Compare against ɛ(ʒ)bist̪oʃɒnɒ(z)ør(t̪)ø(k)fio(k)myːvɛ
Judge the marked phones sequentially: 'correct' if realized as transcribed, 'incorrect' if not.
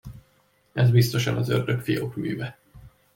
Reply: incorrect: z, correct, incorrect: d̪, correct, correct

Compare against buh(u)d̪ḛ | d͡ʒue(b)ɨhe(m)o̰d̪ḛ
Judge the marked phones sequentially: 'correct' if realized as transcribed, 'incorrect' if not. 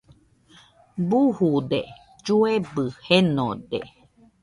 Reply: correct, correct, incorrect: n

